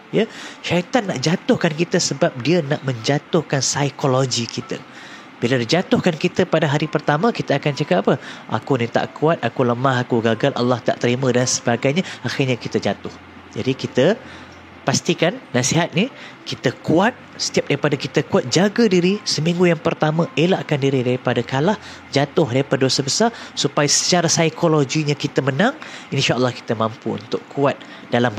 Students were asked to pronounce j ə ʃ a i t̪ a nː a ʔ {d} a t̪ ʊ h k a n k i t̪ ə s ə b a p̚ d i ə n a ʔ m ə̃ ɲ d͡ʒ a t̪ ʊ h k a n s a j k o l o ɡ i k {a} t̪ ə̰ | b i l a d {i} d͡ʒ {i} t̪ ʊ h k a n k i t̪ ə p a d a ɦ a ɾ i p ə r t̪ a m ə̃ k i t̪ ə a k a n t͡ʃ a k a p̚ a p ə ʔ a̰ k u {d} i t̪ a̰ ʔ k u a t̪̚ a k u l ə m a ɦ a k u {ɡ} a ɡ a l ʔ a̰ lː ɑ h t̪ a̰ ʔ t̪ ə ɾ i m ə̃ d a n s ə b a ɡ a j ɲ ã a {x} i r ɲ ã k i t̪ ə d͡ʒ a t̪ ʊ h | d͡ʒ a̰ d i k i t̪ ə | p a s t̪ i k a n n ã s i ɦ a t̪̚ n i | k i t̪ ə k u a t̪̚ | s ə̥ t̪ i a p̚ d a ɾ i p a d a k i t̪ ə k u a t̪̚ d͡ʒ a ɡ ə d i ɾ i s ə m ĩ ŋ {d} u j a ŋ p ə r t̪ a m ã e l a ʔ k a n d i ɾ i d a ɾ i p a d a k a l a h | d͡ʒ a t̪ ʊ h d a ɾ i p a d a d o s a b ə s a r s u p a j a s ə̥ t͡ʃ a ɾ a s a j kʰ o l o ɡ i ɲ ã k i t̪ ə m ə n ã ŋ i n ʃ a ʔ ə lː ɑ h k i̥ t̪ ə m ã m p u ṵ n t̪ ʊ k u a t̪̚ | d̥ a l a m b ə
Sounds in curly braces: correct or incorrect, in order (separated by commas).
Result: incorrect, incorrect, correct, incorrect, incorrect, correct, correct, incorrect